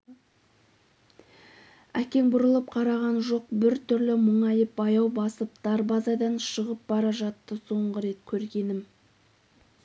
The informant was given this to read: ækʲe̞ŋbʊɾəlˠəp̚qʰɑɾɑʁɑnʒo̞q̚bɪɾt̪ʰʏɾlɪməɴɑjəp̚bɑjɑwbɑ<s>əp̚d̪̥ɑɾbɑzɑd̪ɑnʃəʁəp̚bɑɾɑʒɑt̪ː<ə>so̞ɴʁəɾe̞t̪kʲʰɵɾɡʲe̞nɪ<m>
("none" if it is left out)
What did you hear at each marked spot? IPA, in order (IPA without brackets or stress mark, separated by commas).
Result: s, ə, m